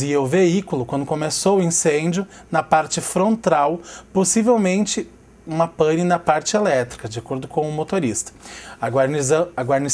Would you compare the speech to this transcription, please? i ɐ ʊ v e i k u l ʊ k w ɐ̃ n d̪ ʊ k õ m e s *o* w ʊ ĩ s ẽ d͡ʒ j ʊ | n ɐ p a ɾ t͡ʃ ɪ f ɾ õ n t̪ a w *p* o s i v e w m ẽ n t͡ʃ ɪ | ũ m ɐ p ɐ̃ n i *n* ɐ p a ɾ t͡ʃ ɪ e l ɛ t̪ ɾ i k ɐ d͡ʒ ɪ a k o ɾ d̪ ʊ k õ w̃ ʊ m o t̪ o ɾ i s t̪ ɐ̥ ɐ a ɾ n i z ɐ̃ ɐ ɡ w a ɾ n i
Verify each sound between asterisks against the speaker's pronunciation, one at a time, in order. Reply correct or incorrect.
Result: correct, correct, correct

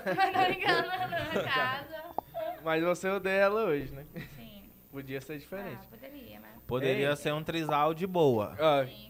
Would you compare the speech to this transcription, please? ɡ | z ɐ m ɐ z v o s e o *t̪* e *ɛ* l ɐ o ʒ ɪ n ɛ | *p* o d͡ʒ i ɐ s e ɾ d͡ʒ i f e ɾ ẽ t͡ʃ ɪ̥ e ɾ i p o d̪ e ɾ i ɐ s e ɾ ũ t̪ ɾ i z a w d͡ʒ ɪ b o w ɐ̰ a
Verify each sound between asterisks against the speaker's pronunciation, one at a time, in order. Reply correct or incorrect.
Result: incorrect: d̪, correct, correct

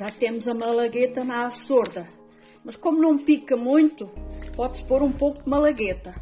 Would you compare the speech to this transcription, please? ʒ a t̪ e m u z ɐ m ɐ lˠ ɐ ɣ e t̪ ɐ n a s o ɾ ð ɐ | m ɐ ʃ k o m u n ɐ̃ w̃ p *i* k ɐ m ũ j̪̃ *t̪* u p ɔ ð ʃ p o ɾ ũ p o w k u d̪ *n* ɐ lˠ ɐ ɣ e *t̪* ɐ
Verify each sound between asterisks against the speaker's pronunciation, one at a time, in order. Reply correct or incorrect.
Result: correct, correct, incorrect: m, correct

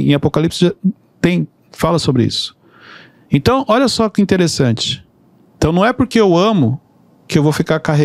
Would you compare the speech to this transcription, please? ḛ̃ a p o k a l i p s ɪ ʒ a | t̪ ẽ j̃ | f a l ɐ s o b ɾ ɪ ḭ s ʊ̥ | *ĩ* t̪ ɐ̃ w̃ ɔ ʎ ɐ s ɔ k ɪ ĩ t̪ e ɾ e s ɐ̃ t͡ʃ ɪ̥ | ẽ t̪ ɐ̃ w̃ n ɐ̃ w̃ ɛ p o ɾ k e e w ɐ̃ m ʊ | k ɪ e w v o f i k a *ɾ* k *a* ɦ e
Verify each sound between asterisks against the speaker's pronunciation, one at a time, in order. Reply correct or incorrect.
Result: incorrect: ẽ, correct, correct

